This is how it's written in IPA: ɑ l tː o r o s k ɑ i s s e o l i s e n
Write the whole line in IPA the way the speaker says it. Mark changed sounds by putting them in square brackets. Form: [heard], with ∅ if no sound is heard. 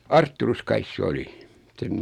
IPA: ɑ [r] tː [u] r [u] s k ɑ i s s e o l i s e n